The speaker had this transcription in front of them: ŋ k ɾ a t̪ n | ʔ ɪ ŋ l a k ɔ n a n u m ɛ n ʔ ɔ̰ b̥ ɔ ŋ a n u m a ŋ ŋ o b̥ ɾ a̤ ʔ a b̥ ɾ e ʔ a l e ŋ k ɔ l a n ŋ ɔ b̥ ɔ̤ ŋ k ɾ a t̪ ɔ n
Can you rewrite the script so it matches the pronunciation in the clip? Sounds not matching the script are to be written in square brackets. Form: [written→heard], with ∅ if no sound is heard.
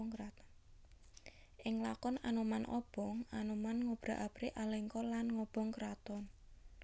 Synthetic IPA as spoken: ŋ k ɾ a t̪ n | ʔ ɪ ŋ l a k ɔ n a n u m [ɛ→a] n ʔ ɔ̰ b̥ ɔ ŋ a n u m a [ŋ→n] ŋ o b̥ ɾ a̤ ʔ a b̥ ɾ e ʔ a l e ŋ k ɔ l a n ŋ ɔ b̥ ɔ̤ ŋ k ɾ a t̪ ɔ n